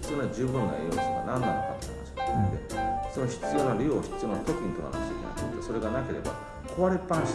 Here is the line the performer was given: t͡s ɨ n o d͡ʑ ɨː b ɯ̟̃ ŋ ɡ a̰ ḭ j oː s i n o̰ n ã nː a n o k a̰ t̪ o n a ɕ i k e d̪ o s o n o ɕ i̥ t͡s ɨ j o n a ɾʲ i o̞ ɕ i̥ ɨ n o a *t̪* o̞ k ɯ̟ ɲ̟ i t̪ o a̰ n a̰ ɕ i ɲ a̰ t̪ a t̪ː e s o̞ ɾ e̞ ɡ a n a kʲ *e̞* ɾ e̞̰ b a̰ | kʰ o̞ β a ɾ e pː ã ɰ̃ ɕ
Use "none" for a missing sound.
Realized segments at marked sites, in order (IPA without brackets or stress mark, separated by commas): t̪, e̞